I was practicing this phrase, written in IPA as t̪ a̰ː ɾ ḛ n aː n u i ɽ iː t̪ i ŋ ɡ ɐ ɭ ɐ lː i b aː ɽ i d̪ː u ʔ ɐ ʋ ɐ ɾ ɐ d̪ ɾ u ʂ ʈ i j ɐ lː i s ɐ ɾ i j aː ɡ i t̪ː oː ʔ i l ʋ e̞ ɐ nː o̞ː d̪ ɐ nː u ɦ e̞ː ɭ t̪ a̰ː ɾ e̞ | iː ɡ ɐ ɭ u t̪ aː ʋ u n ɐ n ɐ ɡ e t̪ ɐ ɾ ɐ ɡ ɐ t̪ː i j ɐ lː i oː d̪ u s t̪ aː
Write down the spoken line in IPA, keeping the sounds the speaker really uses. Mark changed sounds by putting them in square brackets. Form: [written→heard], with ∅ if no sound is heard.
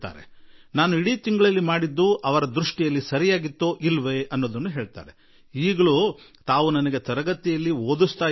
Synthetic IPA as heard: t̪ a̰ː ɾ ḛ n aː n u i ɽ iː t̪ i ŋ ɡ ɐ ɭ ɐ lː i [b→m] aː ɽ i d̪ː u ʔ ɐ ʋ ɐ ɾ ɐ d̪ ɾ u ʂ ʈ i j ɐ lː i s ɐ ɾ i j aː ɡ i t̪ː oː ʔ i l ʋ e̞ ɐ nː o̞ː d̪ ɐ nː u ɦ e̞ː ɭ t̪ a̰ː ɾ e̞ | iː ɡ ɐ ɭ u t̪ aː ʋ u n ɐ n ɐ ɡ e t̪ ɐ ɾ ɐ ɡ ɐ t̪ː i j ɐ lː i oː d̪ u s t̪ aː